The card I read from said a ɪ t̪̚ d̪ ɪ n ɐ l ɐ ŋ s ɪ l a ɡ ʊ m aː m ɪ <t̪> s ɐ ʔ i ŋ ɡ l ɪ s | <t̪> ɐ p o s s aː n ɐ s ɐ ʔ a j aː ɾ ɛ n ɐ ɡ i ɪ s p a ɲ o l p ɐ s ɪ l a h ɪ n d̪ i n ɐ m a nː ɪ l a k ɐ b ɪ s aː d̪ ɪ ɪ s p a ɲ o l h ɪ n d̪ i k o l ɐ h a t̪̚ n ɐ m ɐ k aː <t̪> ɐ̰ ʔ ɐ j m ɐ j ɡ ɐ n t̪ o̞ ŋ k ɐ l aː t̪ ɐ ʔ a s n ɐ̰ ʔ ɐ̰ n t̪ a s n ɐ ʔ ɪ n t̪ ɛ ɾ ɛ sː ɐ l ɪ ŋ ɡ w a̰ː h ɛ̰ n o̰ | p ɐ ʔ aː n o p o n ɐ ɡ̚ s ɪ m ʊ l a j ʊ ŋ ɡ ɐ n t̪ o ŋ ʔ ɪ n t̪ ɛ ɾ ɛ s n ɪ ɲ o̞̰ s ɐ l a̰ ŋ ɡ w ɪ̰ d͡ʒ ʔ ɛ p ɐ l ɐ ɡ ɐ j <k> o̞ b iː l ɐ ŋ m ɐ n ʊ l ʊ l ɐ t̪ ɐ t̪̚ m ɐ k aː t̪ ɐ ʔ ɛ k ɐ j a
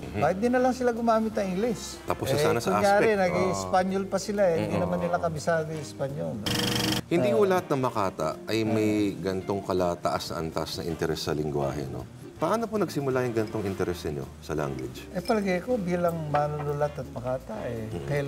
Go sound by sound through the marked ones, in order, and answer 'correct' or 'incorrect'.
correct, correct, correct, correct

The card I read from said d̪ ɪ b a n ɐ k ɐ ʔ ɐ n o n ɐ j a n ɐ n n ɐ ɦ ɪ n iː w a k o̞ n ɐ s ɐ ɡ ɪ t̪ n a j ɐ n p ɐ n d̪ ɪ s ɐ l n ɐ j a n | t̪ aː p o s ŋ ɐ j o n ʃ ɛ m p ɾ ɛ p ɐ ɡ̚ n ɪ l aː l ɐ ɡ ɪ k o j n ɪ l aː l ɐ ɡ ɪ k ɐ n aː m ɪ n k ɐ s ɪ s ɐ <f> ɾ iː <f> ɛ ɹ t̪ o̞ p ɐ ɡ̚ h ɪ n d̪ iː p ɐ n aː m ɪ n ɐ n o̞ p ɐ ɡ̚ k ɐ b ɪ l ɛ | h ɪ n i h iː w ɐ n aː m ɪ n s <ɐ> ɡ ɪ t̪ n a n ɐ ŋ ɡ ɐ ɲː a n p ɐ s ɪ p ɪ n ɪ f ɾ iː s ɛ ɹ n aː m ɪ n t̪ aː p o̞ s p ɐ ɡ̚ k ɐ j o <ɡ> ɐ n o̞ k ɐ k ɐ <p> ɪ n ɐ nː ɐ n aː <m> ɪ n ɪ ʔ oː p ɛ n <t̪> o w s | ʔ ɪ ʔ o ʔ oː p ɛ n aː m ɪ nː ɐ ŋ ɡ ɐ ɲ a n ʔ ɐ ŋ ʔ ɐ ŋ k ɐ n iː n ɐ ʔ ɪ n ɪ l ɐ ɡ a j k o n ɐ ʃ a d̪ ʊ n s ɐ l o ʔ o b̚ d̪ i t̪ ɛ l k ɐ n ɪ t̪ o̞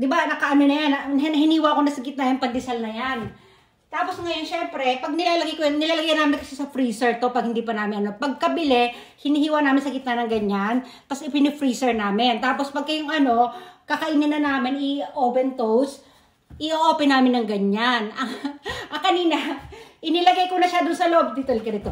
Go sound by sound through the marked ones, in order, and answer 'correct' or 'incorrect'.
correct, incorrect, correct, incorrect, incorrect, correct, correct

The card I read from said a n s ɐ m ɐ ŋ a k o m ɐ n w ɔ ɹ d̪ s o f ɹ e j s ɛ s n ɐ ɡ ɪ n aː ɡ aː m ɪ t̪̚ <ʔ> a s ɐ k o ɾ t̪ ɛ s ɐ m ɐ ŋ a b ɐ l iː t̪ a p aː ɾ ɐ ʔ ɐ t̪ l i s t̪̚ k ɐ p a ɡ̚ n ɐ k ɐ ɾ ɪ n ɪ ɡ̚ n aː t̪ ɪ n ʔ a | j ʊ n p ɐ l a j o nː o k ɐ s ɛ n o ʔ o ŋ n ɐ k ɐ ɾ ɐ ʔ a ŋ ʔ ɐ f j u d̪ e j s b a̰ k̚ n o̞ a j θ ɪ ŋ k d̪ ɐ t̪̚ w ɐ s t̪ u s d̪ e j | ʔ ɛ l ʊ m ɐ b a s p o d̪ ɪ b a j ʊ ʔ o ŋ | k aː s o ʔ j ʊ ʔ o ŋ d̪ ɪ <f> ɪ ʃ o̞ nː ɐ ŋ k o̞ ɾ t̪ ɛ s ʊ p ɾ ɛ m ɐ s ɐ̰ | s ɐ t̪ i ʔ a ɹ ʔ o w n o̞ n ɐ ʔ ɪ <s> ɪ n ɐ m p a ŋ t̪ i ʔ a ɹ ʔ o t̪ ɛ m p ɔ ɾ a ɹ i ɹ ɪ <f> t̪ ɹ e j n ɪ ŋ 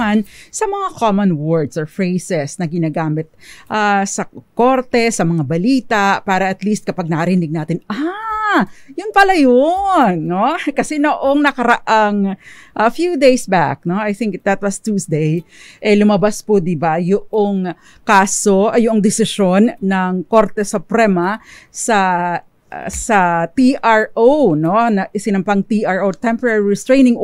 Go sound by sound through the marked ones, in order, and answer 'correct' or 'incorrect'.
correct, incorrect, correct, incorrect

